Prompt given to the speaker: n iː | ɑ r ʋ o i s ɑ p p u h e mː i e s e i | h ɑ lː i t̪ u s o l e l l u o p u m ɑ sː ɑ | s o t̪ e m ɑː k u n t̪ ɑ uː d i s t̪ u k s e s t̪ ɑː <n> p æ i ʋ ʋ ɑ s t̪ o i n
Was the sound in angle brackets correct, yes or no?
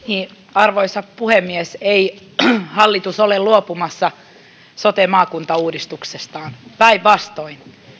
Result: yes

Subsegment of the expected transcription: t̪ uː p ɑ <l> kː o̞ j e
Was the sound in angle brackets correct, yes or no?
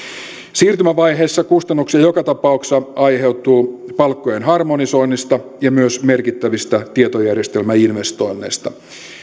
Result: yes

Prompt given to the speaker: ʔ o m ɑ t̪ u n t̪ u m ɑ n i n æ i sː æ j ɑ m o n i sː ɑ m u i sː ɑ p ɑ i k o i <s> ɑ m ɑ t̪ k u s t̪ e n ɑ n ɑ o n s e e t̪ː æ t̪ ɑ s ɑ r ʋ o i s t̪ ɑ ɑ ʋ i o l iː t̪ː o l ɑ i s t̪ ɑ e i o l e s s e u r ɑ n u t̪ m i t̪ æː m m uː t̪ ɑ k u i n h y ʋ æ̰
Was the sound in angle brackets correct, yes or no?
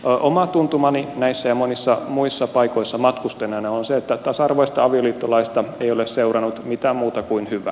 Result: no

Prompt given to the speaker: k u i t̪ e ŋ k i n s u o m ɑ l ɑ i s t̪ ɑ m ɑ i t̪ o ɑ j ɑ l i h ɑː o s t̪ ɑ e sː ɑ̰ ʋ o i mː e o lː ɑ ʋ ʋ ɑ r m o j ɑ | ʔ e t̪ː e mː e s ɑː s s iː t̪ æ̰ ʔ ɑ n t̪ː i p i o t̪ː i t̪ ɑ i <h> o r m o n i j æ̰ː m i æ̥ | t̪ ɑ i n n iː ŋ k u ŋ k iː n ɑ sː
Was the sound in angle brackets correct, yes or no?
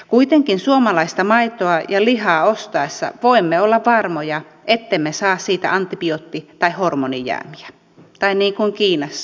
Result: yes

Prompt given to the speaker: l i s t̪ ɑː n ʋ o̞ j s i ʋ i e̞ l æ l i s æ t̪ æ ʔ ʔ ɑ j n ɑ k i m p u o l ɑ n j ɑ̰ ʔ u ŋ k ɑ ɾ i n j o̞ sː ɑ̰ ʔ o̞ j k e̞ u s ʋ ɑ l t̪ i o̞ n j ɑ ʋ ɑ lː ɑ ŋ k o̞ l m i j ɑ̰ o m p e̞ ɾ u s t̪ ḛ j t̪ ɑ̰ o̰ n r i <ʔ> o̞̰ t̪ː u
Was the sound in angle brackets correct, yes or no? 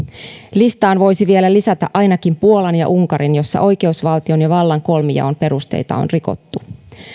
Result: no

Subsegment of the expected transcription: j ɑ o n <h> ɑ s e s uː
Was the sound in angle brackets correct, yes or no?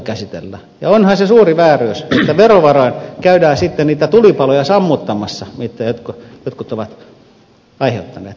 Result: yes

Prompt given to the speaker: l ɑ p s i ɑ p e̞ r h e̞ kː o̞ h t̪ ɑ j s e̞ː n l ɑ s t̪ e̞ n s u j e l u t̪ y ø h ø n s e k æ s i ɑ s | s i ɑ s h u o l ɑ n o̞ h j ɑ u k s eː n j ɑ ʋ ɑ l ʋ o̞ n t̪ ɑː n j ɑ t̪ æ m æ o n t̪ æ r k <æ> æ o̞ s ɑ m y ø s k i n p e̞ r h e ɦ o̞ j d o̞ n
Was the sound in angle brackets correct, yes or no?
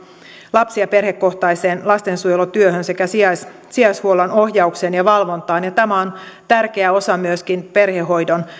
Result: no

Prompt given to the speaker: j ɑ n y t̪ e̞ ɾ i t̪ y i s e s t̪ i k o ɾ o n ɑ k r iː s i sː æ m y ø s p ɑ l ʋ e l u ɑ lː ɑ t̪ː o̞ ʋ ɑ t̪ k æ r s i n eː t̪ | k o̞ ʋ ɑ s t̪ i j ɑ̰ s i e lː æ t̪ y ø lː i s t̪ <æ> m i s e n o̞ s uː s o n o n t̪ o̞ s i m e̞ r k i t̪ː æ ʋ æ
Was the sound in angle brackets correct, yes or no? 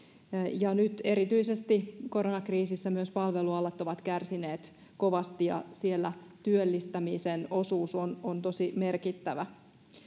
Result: yes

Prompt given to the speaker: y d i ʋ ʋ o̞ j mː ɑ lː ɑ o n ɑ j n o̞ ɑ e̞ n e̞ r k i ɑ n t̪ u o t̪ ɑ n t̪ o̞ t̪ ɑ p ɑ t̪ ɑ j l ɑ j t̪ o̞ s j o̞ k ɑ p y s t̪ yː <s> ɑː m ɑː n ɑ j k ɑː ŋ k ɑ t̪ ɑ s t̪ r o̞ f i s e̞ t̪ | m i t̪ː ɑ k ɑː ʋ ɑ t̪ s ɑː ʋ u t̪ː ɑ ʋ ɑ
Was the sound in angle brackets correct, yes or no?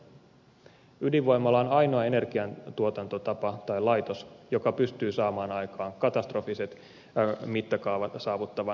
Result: yes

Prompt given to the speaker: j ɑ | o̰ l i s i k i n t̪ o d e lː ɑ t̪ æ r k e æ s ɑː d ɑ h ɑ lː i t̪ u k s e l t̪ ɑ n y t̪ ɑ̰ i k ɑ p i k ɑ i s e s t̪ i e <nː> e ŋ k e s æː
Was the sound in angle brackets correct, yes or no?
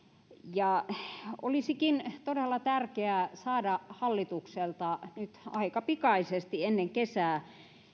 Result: yes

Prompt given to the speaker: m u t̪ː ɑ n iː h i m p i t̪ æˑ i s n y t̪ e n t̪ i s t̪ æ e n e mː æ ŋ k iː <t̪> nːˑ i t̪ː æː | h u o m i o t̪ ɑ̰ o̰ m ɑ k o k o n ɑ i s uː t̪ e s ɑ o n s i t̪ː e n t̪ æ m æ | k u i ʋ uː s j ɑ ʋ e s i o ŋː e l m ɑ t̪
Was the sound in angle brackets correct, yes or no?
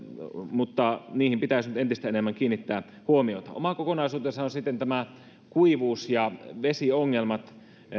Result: no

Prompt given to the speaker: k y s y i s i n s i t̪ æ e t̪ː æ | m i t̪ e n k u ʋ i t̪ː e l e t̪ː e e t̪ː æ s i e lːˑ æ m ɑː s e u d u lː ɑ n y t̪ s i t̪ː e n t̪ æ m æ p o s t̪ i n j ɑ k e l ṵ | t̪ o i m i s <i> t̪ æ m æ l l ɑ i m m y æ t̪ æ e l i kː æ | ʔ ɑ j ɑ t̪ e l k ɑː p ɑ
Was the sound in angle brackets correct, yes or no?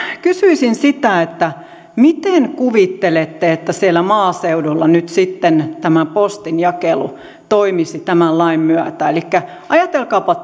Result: yes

